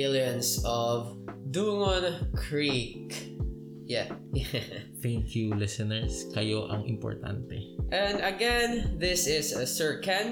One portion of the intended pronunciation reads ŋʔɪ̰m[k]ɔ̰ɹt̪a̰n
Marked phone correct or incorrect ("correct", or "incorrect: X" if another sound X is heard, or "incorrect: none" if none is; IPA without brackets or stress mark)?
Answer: incorrect: p